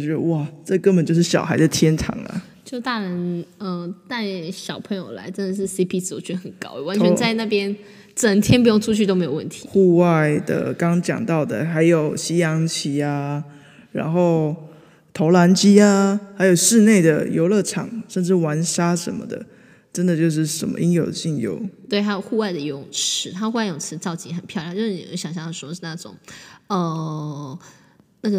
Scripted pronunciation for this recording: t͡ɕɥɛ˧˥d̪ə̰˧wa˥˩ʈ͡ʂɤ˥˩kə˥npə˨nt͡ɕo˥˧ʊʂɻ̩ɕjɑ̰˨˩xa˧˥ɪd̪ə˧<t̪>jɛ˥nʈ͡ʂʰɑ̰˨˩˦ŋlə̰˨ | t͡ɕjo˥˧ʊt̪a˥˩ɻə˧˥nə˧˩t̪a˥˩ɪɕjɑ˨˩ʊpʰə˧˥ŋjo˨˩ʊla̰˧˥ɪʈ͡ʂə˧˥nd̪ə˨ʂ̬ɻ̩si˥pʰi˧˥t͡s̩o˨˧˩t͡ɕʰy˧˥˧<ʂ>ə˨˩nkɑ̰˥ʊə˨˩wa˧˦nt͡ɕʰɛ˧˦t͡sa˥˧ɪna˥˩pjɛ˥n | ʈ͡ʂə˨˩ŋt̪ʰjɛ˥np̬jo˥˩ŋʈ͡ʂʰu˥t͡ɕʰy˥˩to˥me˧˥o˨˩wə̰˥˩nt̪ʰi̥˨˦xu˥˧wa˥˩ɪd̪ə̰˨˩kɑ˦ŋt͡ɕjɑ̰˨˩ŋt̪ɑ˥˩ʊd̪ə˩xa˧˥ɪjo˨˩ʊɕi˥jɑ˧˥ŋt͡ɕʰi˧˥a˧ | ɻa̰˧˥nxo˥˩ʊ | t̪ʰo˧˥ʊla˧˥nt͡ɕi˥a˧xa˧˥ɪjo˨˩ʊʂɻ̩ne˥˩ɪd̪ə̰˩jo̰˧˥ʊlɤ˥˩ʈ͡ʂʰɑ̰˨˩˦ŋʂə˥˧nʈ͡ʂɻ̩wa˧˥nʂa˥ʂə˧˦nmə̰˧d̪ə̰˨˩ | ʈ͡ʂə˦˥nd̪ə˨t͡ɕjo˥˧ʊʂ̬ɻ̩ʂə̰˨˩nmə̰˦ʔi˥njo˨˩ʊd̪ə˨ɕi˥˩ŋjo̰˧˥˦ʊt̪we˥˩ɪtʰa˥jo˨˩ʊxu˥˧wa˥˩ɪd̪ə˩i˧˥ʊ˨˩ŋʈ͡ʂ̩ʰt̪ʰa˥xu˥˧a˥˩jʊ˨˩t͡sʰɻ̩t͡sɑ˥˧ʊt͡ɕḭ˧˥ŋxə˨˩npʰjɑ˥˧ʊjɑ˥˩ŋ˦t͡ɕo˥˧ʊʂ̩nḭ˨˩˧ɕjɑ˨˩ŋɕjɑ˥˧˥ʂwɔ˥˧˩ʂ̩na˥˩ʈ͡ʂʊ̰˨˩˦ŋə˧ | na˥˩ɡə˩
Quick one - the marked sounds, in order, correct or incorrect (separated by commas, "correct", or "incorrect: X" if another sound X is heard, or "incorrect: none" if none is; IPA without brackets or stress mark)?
incorrect: t̪ʰ, incorrect: x